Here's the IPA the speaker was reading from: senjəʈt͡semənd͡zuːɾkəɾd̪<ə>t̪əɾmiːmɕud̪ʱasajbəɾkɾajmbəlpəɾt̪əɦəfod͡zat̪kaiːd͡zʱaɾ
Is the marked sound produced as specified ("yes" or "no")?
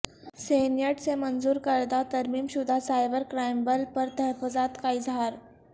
no